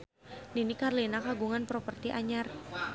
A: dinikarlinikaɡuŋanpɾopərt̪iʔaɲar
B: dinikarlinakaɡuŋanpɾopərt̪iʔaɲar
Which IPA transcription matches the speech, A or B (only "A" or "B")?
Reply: B